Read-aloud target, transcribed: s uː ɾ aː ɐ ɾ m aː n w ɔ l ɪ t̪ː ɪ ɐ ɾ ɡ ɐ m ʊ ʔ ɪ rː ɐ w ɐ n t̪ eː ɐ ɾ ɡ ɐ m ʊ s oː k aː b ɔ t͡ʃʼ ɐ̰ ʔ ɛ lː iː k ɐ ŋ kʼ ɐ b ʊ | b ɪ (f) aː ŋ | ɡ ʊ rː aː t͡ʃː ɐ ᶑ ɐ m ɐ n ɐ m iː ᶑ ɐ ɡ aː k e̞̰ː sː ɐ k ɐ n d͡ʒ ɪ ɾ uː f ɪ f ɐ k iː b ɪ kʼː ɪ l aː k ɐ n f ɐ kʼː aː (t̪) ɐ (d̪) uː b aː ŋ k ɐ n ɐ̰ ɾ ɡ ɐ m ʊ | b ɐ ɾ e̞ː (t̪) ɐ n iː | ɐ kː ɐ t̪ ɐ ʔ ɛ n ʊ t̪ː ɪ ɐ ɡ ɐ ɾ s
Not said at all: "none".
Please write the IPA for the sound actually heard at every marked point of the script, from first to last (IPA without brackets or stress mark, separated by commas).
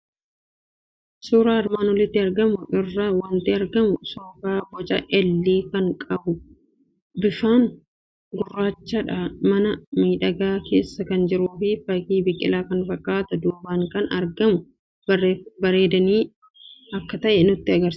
f, t̪, d̪, d̪